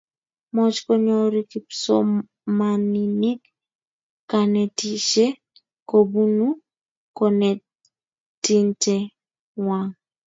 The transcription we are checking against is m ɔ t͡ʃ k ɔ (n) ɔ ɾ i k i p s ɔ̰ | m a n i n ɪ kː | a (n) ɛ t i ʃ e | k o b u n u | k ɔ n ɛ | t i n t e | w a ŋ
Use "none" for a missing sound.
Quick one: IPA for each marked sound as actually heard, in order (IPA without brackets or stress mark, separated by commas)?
ɲ, n